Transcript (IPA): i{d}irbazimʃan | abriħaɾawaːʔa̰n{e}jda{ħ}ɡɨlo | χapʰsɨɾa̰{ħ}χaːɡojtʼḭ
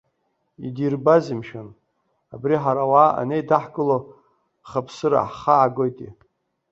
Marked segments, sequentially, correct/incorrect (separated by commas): correct, correct, correct, correct